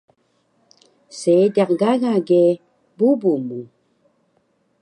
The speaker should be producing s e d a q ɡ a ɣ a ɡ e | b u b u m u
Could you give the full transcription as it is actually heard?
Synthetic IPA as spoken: s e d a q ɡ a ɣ a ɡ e | b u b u m u